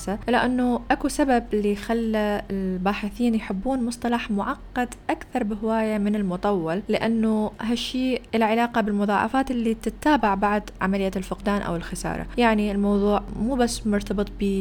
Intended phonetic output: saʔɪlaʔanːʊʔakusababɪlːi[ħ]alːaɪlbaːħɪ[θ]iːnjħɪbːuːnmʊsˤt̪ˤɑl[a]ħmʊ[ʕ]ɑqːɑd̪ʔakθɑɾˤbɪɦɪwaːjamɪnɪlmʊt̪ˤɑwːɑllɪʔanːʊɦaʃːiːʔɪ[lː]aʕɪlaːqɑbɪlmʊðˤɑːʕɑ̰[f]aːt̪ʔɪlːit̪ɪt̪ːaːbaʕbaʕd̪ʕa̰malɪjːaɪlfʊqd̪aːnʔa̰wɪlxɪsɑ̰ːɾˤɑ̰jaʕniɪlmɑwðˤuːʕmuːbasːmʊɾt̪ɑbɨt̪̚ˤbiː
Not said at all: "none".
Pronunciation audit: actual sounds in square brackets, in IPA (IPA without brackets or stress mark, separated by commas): x, θ, ɑ, ʕ, l, f